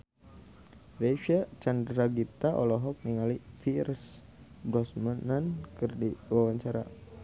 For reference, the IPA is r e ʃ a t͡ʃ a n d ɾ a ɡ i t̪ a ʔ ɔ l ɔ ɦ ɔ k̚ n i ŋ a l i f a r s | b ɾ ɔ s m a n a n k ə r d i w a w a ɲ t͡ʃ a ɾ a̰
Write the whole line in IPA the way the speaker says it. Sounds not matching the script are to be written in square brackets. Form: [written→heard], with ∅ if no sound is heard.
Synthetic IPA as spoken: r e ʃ a t͡ʃ a n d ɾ a ɡ i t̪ a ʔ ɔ l ɔ ɦ ɔ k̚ n i ŋ a l i f [a→i] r s | b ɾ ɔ s m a n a n k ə r d i w a w a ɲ t͡ʃ a ɾ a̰